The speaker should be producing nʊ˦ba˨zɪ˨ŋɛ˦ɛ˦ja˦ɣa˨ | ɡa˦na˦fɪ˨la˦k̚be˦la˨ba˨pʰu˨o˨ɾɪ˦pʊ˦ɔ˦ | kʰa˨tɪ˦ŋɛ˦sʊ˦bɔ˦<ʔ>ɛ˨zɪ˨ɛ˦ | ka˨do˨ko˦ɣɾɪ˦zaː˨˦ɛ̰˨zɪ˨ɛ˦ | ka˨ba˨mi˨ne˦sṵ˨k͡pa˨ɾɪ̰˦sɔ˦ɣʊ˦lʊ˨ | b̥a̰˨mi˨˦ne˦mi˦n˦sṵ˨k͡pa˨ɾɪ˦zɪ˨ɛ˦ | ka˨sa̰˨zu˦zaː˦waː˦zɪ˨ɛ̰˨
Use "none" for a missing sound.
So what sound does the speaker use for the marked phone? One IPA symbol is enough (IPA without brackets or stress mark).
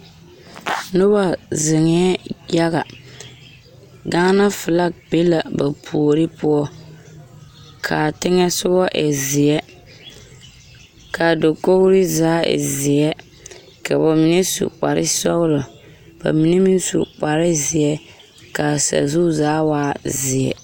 ʔ